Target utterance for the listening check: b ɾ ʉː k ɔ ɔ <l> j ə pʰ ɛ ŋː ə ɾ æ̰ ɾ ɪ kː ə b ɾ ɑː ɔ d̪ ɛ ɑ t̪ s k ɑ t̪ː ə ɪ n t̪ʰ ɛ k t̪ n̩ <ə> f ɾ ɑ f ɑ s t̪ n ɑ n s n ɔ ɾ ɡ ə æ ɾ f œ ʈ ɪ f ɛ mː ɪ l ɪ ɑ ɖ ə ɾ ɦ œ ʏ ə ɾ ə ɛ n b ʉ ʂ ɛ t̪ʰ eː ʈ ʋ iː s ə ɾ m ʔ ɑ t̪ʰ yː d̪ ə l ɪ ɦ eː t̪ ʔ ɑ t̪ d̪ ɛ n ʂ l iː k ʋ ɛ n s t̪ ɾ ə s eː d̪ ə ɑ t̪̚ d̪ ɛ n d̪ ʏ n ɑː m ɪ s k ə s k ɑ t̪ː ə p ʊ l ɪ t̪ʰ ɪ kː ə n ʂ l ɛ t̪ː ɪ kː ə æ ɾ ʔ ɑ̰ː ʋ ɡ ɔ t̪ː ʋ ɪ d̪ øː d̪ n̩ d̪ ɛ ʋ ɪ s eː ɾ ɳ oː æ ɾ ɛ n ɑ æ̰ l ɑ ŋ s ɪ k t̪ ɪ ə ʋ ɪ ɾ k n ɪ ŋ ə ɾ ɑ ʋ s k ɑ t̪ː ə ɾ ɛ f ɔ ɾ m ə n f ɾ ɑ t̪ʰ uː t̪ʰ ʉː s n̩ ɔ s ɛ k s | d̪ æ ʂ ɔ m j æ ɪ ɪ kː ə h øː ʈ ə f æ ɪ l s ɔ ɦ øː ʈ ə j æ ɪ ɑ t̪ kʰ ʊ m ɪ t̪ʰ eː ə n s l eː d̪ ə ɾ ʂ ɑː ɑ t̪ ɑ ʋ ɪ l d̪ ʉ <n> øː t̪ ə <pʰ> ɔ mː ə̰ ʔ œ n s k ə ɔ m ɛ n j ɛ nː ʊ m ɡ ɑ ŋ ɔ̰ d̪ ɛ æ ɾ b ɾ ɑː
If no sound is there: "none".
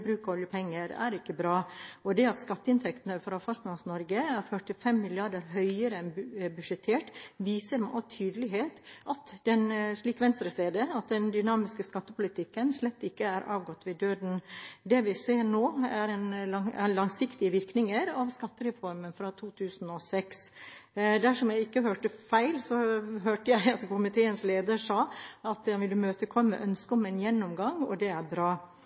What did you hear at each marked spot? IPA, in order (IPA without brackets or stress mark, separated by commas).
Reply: l, ə, m, kʰ